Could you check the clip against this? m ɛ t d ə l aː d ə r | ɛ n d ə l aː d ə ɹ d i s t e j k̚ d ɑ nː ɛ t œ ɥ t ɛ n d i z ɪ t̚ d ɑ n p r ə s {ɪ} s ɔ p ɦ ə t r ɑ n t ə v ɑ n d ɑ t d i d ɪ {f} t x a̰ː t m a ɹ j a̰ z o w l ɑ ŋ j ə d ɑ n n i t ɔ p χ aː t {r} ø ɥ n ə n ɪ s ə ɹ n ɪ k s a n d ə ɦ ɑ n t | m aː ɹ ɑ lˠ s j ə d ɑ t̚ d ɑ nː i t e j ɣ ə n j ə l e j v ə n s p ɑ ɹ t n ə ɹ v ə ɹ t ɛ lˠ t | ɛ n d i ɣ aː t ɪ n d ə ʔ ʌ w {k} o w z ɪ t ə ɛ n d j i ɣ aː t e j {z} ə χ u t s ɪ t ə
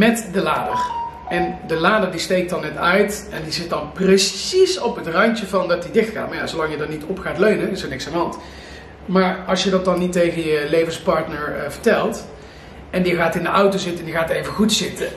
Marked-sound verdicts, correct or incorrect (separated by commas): incorrect, incorrect, incorrect, incorrect, incorrect